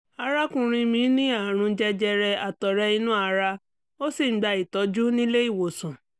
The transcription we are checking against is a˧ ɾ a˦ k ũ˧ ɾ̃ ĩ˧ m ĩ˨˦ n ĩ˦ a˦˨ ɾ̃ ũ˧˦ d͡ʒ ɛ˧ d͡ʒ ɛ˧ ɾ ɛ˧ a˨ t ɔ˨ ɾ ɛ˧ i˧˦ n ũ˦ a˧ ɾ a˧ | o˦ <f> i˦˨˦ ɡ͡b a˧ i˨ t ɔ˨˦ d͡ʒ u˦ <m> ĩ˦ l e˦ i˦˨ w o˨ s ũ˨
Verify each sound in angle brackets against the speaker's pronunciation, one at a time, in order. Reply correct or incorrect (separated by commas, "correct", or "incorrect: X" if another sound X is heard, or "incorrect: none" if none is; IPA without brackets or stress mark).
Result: incorrect: s, incorrect: n